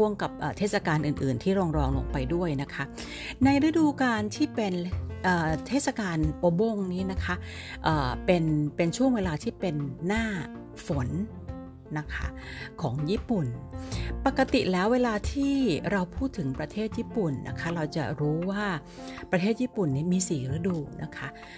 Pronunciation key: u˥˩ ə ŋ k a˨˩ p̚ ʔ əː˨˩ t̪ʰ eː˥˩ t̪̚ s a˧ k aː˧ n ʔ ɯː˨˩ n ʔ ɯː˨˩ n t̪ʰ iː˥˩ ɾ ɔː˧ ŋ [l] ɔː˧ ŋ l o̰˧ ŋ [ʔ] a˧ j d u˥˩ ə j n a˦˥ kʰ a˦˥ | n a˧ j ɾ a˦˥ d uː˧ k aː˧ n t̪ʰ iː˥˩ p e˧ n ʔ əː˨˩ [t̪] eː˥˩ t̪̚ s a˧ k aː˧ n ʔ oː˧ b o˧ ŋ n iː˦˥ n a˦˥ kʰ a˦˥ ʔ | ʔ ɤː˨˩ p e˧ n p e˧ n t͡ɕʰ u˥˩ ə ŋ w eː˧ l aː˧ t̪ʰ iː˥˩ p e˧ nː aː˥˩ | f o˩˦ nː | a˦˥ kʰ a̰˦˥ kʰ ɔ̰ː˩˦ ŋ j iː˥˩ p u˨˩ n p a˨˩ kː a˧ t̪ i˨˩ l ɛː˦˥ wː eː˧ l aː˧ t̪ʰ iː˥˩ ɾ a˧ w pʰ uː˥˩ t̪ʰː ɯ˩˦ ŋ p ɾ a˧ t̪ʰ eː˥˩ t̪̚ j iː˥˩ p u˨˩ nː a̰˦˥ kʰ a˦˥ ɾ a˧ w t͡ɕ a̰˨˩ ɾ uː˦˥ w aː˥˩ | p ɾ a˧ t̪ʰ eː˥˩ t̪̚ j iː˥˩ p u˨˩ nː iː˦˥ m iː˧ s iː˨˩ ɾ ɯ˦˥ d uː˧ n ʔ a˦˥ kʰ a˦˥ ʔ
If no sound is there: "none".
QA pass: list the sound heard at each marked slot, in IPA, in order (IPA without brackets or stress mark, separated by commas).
ɾ, p, t̪ʰ